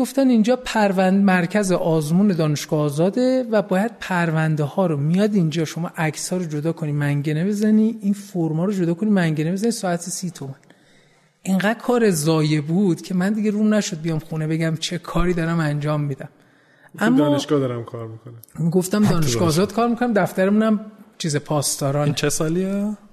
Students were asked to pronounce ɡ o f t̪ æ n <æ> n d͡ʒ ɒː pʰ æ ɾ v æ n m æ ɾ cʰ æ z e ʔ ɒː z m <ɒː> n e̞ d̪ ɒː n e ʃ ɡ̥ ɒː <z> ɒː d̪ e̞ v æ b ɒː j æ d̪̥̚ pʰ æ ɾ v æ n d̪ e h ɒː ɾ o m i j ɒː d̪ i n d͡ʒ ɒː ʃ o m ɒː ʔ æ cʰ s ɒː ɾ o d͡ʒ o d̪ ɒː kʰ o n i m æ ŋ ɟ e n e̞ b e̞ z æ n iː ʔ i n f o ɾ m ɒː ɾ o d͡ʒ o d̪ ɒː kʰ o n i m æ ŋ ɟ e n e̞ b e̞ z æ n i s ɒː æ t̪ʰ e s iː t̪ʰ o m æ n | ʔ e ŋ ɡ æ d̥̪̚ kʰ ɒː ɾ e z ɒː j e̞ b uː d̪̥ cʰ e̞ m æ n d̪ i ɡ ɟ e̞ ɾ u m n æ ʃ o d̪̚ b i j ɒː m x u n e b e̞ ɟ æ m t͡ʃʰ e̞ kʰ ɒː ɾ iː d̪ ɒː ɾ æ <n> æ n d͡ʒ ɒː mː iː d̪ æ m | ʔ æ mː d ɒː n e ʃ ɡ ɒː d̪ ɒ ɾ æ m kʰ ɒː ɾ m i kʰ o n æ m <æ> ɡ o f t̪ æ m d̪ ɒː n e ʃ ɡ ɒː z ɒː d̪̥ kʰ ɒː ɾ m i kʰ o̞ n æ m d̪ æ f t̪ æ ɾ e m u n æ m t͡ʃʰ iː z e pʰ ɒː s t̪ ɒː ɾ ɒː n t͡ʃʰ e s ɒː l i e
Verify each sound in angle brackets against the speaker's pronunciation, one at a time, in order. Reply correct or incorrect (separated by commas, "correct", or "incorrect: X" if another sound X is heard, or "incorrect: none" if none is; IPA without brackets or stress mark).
incorrect: i, incorrect: uː, correct, incorrect: m, incorrect: i